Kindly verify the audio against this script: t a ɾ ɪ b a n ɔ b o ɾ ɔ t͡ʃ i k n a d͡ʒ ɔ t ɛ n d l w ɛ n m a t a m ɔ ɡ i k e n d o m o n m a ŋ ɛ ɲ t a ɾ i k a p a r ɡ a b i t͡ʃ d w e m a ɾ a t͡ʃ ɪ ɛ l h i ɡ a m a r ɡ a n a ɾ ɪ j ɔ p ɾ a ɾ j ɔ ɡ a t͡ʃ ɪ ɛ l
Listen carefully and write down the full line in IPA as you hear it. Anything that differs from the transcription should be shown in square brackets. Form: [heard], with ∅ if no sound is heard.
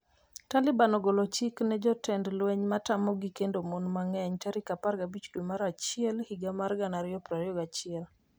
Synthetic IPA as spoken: t a [l] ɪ b a n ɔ [ɡ] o [l] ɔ t͡ʃ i k n [ɛ] d͡ʒ ɔ t ɛ n d l w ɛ [ɲ] m a t a m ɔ ɡ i k e n d o m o n m a ŋ ɛ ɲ t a ɾ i k a p a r ɡ a b i t͡ʃ d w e m a ɾ a t͡ʃ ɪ ɛ l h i ɡ a m a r ɡ a n a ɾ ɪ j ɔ p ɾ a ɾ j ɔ ɡ a t͡ʃ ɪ ɛ l